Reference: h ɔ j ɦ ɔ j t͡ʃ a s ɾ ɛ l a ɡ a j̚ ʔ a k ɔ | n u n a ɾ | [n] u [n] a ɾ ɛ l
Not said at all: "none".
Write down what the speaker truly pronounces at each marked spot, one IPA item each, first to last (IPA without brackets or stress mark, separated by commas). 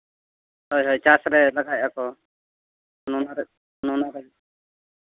n, n